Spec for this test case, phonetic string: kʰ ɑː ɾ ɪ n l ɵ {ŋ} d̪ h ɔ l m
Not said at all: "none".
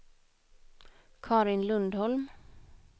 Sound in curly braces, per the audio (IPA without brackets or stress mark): n